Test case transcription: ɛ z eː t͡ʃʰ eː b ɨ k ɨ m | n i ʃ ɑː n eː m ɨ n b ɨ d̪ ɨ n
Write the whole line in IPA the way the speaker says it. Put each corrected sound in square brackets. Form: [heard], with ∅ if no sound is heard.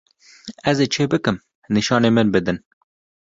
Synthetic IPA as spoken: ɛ z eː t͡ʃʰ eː b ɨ k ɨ m | n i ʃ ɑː n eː m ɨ n b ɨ d̪ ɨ n